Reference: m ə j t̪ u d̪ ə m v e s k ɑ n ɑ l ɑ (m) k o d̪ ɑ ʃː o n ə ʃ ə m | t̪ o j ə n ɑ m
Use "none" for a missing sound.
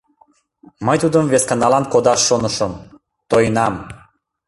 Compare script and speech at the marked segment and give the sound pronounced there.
n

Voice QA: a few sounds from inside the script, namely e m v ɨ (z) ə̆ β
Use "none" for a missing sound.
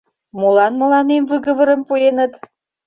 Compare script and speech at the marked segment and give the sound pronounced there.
ɣ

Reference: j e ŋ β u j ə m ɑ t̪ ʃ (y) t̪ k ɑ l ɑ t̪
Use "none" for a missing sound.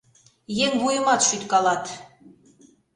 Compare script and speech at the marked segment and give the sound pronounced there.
y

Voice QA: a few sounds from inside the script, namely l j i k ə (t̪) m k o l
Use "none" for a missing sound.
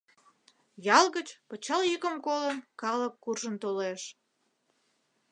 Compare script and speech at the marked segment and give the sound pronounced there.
none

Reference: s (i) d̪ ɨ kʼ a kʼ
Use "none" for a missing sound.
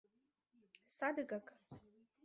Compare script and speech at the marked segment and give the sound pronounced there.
a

